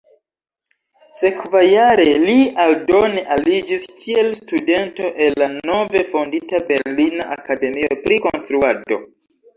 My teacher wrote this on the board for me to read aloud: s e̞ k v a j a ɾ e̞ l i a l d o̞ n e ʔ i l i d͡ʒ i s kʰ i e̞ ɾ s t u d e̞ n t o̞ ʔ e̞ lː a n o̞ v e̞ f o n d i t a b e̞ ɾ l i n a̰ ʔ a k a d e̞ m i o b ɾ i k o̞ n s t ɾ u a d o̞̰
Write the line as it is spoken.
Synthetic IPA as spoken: s e̞ k v a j a ɾ e̞ l i a l d o̞ n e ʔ a l i d͡ʒ i s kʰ i e̞ l s t u d e̞ n t o̞ ʔ e̞ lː a n o̞ v e̞ f o n d i t a b e̞ ɾ l i n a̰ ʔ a k a d e̞ m i o p ɾ i k o̞ n s t ɾ u a d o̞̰